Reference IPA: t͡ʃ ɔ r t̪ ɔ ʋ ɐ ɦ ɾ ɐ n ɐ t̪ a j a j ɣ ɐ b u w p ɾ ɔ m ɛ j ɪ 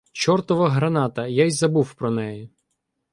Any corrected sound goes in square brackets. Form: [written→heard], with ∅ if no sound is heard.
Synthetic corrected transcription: t͡ʃ ɔ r t̪ ɔ ʋ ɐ ɦ ɾ ɐ n [ɐ→ɑ] t̪ [a→ɐ] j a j [ɣ→z] ɐ b u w p ɾ ɔ [m→n] ɛ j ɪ